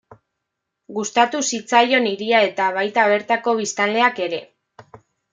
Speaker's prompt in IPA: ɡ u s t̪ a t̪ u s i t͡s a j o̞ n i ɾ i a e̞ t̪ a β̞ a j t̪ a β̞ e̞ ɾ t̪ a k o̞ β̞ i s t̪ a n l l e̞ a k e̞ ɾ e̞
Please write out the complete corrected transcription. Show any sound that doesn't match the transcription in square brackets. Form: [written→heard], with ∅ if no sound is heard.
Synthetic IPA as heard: ɡ u s t̪ a t̪ u s i t͡s a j o̞ n i ɾ i a e̞ t̪ a β̞ a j t̪ a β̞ e̞ ɾ t̪ a k o̞ β̞ i s t̪ a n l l e̞ a k e̞ ɾ e̞